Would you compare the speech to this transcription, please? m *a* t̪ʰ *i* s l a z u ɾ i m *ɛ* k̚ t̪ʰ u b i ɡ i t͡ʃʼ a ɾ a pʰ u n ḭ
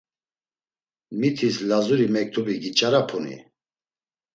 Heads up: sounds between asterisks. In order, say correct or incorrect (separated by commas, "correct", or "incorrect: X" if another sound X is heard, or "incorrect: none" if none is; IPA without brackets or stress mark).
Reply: incorrect: i, correct, correct